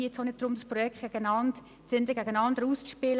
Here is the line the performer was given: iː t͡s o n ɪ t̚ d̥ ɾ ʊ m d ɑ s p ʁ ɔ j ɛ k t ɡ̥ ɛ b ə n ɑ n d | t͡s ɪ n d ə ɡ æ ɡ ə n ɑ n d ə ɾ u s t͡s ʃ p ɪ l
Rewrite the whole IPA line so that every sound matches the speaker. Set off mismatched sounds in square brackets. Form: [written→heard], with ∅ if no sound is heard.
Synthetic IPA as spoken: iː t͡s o n ɪ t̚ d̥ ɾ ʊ m d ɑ s p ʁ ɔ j ɛ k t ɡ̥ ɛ [b→ɡ] ə n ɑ n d | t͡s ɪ n d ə ɡ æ ɡ ə n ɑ n d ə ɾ u s t͡s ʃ p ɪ l